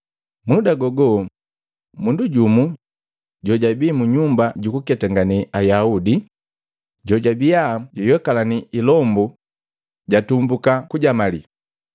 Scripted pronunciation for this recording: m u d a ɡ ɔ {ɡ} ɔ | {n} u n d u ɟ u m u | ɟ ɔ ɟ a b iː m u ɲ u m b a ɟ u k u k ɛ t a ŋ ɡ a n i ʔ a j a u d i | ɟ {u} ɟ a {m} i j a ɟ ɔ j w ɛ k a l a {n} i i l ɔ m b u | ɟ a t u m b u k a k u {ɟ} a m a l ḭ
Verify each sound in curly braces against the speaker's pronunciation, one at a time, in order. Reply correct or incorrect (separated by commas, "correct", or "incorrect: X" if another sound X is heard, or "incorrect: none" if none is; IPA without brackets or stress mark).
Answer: correct, incorrect: m, incorrect: ɔ, incorrect: b, correct, correct